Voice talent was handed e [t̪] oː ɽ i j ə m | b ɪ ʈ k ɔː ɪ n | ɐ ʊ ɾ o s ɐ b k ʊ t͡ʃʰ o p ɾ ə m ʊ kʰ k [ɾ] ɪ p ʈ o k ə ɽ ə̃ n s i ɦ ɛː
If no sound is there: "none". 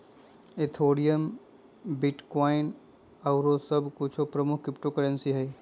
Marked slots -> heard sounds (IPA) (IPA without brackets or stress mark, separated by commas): t̪ʰ, ɾ